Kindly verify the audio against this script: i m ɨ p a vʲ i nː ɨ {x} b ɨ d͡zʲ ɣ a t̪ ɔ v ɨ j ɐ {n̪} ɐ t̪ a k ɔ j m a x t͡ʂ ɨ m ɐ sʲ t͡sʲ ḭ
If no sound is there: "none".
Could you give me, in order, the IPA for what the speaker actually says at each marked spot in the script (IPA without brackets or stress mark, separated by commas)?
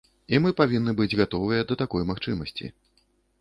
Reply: none, d̪